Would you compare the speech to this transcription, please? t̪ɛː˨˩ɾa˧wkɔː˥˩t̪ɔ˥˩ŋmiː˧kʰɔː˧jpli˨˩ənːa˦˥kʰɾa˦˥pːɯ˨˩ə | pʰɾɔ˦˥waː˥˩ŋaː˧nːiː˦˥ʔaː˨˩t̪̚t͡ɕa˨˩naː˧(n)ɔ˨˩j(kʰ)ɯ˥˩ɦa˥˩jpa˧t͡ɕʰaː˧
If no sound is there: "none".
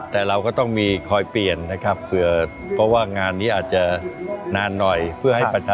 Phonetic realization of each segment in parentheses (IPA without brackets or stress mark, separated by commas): nː, pʰ